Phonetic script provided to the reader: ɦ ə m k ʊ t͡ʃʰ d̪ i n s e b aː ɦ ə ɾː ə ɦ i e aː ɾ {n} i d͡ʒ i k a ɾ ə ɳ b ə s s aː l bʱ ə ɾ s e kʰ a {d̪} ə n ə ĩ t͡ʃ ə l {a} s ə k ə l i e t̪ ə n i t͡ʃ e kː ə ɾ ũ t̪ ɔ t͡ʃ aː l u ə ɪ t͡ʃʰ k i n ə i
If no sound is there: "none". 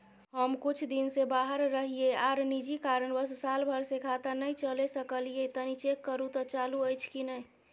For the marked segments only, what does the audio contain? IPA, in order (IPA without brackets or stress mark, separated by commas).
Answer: n, t̪, e